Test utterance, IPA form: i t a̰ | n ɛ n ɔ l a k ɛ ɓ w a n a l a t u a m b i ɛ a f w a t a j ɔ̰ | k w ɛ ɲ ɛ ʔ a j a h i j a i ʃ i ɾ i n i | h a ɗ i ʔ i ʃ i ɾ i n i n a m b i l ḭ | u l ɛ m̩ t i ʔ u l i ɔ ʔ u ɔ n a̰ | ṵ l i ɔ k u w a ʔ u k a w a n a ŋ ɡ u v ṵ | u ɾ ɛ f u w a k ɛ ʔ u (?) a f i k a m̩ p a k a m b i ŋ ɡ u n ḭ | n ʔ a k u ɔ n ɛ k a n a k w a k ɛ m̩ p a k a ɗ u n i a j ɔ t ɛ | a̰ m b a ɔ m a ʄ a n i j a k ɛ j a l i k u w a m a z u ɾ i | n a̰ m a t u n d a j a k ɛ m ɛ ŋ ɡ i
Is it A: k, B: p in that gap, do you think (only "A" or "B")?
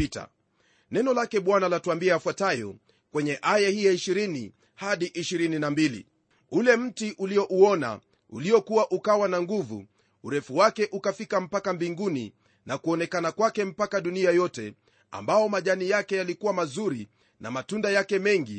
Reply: A